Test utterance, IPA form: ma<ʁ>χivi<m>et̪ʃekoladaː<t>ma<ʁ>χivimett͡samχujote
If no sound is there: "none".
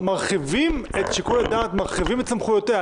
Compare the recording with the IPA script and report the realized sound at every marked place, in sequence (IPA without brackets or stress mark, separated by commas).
ʁ, m, t, ʁ